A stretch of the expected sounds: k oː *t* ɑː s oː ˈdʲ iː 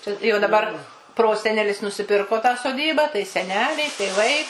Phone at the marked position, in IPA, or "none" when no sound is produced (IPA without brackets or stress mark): t